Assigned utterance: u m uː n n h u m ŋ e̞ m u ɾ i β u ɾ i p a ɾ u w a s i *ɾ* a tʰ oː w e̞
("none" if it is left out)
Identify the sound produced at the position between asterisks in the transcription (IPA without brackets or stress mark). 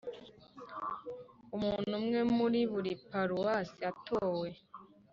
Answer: none